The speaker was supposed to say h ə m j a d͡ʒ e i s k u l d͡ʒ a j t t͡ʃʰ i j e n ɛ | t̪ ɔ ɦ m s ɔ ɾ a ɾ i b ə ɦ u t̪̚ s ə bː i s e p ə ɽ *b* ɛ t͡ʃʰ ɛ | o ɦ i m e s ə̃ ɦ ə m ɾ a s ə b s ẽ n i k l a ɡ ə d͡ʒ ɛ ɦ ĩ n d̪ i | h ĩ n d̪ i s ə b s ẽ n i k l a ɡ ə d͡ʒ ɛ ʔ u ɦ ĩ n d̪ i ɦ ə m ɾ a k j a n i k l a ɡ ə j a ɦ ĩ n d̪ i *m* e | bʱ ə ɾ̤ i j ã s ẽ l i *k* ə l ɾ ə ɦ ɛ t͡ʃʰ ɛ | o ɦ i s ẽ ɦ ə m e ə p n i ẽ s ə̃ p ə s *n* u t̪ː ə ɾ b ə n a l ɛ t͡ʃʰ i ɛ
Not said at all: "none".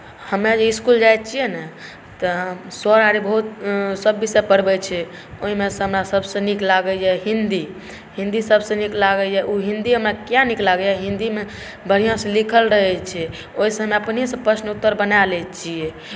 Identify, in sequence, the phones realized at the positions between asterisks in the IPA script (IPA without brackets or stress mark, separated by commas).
b, m, kʰ, n